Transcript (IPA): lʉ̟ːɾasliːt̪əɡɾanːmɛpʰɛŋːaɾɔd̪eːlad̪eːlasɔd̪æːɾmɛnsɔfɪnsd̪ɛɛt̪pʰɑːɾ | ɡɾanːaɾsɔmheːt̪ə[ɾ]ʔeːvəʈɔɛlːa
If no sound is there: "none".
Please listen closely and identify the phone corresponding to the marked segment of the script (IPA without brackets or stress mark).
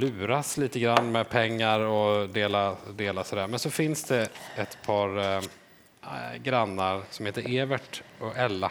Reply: ɾ